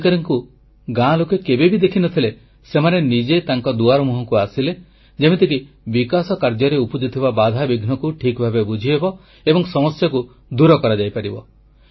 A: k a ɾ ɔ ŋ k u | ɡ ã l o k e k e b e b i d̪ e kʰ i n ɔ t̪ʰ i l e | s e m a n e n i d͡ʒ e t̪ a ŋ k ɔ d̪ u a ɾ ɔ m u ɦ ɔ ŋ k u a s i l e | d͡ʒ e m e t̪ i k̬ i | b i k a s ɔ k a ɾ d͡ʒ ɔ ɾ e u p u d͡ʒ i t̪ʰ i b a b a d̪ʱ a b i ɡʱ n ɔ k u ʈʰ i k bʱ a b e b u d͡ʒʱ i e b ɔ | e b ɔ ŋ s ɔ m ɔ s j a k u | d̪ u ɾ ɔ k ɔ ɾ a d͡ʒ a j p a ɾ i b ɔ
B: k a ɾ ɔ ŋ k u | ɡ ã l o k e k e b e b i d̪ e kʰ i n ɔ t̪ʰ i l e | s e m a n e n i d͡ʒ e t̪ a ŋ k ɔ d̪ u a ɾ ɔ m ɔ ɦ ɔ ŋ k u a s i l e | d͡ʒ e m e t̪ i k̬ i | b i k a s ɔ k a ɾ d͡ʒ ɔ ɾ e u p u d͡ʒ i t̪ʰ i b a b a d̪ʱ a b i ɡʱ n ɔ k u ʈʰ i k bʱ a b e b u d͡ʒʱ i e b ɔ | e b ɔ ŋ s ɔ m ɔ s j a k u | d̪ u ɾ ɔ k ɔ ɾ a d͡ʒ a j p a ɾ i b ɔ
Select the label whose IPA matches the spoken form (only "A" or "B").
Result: A